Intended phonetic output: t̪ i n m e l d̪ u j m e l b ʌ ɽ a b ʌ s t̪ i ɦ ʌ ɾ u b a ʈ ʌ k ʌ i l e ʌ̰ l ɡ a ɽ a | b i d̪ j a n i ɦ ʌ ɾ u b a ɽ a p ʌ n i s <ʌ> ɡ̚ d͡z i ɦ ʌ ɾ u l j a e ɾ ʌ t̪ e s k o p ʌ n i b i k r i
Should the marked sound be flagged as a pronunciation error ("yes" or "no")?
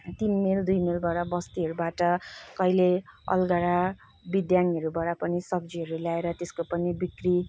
no